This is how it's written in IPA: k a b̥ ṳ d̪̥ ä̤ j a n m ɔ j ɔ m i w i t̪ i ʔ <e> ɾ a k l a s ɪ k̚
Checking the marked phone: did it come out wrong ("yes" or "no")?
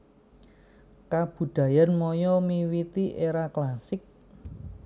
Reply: no